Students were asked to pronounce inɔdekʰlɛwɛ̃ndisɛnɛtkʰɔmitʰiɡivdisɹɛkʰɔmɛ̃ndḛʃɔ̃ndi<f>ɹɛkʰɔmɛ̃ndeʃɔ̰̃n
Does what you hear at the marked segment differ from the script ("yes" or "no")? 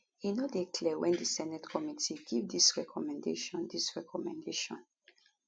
yes